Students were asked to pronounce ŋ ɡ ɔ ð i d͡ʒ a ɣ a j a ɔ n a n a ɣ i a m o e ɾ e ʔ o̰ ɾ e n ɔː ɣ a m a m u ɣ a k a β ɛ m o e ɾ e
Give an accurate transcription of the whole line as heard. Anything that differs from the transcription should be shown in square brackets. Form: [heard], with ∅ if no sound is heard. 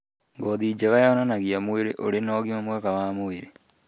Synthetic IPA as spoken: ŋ ɡ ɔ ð i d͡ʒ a ɣ a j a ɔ n a n a ɣ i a m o e ɾ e ʔ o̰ ɾ e n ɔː ɣ [i] m a m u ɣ a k a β [a] m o e ɾ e